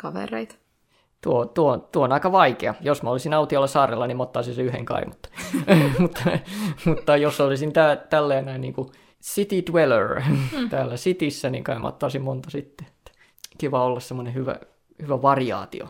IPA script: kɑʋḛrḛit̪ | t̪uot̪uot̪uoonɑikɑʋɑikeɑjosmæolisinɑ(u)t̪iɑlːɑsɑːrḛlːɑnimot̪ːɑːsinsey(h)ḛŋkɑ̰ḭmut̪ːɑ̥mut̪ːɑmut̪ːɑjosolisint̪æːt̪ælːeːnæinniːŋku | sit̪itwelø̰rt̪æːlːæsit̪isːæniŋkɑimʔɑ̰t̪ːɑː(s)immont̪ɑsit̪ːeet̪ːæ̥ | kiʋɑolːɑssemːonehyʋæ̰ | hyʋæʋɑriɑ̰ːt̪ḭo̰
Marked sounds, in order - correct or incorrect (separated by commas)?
correct, correct, correct